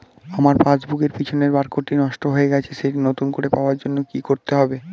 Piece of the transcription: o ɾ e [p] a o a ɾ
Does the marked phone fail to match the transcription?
no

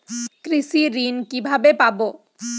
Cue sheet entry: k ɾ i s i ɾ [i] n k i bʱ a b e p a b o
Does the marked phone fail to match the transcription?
no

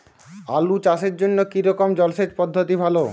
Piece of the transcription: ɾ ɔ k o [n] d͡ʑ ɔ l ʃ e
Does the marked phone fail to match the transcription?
yes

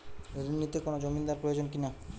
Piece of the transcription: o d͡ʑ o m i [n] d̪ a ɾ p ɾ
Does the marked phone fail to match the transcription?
no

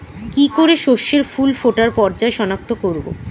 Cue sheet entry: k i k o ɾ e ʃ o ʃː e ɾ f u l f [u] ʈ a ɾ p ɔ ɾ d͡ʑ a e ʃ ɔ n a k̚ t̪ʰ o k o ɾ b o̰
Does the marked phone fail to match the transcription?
yes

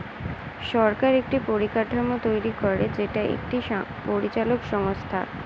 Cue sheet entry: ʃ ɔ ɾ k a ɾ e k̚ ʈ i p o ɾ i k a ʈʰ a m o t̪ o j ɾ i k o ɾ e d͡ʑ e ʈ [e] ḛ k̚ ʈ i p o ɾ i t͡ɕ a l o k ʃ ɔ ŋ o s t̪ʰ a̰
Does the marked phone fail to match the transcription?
yes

